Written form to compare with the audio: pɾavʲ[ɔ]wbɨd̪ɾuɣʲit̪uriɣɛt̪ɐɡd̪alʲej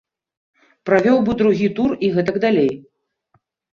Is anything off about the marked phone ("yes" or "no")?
no